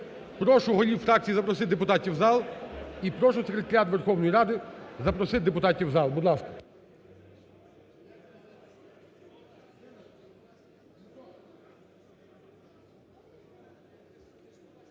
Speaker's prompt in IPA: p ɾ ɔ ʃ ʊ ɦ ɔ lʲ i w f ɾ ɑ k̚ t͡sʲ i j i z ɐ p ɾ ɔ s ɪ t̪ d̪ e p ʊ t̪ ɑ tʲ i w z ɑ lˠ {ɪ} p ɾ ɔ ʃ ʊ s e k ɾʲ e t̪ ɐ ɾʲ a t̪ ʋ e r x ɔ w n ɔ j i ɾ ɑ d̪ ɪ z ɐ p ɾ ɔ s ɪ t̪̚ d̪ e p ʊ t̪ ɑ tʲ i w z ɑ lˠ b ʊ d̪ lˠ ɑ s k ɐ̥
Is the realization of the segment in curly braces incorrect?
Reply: yes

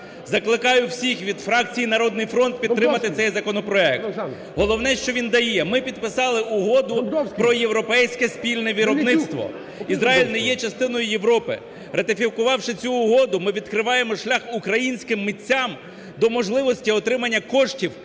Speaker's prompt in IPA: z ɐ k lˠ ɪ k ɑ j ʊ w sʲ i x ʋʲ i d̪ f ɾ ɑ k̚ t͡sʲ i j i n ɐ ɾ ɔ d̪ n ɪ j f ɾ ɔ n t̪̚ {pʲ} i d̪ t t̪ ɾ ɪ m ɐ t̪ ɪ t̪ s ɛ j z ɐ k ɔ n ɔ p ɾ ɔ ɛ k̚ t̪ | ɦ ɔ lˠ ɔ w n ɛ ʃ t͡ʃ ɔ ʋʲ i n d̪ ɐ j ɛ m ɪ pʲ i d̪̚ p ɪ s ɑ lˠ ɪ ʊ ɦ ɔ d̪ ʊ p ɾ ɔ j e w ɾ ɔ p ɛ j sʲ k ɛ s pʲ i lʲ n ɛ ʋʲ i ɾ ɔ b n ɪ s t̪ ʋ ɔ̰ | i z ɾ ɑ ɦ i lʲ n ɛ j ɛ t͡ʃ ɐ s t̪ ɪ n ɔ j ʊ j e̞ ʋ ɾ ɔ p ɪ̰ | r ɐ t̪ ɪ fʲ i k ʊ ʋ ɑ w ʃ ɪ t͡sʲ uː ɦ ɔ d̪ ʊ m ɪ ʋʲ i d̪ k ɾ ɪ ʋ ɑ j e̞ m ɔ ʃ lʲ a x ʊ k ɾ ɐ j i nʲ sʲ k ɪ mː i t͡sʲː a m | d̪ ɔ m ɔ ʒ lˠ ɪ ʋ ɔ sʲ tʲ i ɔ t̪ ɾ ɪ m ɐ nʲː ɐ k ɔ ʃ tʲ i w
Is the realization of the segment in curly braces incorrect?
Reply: no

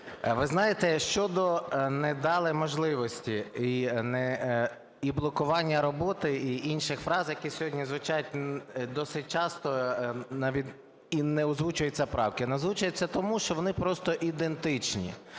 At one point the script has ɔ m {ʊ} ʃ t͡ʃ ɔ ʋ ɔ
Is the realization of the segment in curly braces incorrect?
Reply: yes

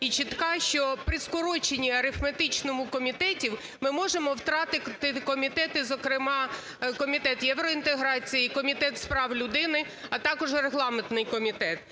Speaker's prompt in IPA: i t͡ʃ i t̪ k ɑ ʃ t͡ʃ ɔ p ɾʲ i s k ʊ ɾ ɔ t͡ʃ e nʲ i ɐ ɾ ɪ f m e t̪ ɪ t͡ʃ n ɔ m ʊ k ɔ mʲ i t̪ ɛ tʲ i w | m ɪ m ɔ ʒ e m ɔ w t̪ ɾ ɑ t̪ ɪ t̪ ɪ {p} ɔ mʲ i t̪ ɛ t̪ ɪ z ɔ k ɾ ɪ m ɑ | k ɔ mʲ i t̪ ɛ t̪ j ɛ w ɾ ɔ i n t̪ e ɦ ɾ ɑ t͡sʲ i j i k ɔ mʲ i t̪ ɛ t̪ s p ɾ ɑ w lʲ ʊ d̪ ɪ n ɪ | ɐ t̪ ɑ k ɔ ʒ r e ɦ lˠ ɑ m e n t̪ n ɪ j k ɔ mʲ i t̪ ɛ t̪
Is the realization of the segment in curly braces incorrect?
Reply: yes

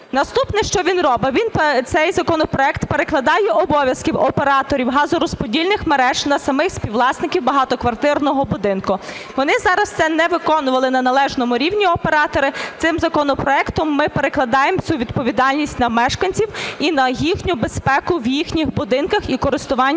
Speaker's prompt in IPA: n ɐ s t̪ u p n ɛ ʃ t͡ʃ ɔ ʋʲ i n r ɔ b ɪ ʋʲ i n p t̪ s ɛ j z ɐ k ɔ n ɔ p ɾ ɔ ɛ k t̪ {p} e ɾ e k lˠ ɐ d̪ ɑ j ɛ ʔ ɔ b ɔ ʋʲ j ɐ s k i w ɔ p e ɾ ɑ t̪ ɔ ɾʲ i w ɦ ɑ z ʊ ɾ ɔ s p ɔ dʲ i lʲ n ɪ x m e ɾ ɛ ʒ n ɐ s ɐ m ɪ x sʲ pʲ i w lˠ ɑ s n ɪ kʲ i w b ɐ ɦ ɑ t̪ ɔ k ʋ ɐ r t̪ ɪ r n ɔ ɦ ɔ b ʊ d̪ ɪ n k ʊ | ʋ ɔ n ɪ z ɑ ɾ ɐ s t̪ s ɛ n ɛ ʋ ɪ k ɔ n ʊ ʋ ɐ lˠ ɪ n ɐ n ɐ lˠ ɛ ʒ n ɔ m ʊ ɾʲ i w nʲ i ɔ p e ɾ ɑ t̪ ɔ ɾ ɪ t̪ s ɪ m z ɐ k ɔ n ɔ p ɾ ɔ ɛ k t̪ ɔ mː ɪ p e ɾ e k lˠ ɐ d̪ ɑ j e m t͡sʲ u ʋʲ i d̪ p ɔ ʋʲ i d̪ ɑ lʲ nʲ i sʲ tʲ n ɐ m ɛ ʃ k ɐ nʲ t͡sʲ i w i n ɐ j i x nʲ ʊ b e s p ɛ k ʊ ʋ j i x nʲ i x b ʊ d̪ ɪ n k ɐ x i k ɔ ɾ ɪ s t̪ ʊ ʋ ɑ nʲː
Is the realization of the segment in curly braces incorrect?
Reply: no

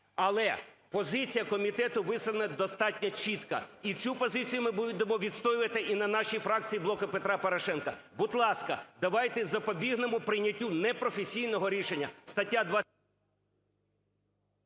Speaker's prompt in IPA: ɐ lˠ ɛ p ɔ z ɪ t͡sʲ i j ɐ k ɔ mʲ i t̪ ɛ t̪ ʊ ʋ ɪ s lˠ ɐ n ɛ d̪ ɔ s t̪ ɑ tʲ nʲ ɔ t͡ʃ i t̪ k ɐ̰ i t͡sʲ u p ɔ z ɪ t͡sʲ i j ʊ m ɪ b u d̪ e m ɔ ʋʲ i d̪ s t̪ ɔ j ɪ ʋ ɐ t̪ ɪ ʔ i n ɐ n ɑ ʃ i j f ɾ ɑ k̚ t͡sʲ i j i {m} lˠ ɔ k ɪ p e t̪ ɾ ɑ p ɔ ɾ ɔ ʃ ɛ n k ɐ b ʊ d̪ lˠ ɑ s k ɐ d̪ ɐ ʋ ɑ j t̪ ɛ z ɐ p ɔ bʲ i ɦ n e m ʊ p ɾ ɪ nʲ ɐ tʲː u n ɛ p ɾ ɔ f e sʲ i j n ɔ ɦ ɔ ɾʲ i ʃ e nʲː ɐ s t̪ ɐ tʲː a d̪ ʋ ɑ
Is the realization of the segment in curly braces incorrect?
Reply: yes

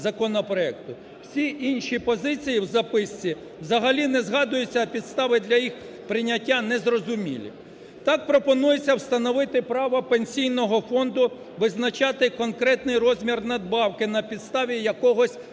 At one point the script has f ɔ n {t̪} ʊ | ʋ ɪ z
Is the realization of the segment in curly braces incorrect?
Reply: yes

